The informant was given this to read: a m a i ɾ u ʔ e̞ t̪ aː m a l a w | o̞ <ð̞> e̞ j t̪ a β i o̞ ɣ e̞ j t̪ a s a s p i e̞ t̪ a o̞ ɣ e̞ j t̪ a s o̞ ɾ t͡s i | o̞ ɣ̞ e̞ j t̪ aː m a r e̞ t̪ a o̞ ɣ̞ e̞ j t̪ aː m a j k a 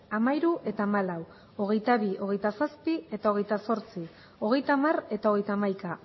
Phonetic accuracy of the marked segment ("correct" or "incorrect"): incorrect